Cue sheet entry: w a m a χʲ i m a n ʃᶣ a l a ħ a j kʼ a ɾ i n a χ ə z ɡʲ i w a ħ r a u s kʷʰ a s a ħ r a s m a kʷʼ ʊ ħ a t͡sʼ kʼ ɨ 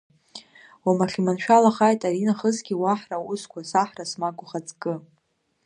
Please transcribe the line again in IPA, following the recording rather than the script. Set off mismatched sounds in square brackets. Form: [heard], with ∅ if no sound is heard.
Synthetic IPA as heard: w a m a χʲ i m a n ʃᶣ a l a [χ] a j [tʼ] a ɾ i n a χ ə z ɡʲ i w a ħ r a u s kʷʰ a s a ħ r a s m a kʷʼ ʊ [χ] a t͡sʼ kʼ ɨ